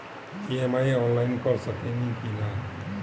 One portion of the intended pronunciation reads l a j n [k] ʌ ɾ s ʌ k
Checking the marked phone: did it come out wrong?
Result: no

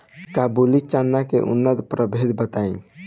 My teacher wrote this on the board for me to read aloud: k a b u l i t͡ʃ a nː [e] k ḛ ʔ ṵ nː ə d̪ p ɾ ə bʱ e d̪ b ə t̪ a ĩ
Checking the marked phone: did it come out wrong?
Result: yes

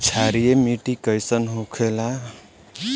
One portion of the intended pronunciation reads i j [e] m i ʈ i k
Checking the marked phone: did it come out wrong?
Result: no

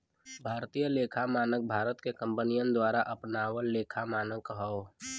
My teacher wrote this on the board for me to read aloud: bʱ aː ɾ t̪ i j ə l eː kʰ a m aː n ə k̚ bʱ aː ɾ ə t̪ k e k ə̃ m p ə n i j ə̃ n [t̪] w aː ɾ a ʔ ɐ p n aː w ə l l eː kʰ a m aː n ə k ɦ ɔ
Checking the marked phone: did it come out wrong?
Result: yes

